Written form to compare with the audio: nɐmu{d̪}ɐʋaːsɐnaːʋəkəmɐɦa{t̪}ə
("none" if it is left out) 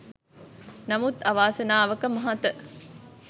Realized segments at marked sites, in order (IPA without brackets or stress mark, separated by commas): t̪, t̪